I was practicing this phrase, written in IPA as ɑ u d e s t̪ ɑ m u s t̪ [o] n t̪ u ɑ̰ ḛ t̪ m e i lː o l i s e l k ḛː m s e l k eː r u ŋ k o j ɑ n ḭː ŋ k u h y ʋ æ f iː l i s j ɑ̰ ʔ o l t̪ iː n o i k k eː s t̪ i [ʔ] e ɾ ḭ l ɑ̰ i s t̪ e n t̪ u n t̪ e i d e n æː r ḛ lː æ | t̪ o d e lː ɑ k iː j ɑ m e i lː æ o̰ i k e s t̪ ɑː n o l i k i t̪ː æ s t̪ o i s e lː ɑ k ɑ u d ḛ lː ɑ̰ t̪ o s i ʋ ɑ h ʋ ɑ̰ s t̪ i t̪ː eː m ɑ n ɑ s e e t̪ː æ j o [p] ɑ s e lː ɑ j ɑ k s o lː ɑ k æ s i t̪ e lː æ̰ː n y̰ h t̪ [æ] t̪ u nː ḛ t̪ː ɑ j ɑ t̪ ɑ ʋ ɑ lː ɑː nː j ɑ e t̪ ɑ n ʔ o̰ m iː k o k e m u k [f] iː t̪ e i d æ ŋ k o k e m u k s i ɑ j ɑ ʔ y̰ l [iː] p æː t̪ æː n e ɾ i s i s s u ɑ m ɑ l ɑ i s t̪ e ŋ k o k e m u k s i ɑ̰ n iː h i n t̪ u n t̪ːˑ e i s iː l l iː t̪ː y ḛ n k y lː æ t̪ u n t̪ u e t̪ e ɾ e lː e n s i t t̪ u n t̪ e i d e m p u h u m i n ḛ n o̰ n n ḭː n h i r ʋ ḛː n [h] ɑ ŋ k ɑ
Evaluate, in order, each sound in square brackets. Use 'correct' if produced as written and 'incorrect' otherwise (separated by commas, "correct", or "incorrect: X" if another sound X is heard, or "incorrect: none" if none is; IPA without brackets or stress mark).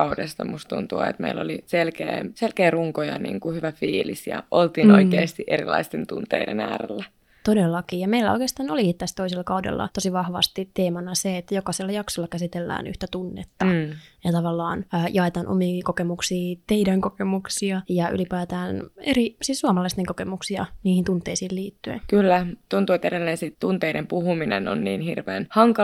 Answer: incorrect: u, correct, incorrect: k, correct, incorrect: s, incorrect: i, correct